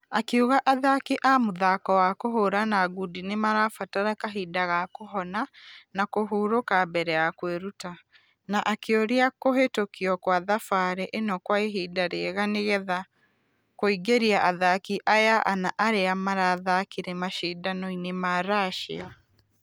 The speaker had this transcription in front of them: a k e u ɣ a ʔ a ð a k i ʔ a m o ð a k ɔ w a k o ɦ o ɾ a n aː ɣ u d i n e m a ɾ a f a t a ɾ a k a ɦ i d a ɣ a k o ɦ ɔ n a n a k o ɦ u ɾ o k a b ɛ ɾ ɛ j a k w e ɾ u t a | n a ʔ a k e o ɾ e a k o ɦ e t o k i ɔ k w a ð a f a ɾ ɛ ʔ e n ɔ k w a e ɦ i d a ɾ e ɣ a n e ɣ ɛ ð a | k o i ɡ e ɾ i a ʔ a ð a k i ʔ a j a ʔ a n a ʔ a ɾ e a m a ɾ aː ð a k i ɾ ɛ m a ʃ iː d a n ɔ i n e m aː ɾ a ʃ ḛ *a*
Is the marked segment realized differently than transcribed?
no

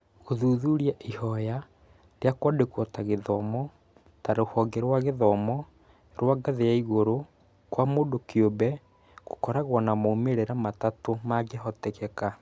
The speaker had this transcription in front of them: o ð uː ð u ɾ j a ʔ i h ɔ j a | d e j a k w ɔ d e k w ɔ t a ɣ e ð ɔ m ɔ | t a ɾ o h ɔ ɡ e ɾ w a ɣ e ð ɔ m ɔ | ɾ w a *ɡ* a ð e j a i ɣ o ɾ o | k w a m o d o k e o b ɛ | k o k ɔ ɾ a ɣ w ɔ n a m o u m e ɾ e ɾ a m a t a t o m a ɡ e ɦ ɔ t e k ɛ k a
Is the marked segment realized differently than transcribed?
no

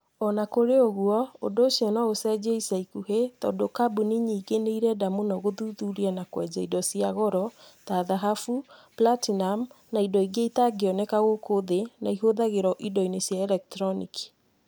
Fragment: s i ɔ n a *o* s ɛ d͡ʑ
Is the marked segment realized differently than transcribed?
no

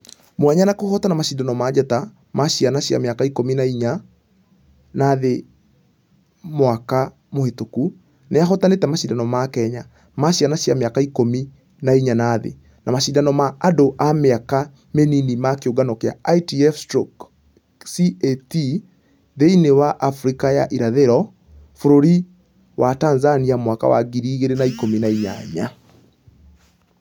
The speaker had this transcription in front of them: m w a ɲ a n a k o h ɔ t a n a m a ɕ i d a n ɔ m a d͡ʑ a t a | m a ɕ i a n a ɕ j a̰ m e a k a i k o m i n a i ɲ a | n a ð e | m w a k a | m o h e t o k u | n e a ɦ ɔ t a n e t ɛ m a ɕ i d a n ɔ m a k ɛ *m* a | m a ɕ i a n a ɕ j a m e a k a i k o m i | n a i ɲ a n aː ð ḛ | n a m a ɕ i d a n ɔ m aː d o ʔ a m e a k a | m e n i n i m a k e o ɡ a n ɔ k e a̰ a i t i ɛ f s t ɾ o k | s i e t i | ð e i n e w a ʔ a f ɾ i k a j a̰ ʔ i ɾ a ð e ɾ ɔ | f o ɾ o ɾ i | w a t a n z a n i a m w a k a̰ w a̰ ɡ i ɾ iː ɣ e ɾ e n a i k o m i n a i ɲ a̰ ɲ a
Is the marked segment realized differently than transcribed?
yes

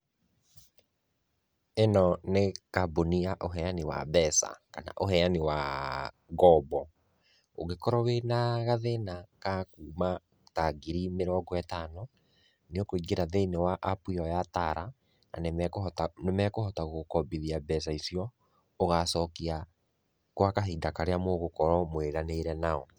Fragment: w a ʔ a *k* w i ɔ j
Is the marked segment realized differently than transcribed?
yes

